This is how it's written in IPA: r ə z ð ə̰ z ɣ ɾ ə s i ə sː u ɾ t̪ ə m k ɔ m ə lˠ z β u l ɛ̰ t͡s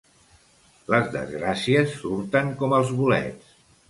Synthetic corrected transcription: l ə z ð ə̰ z ɣ ɾ a s i ə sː u ɾ t̪ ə ŋ k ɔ m ə lˠ z β u l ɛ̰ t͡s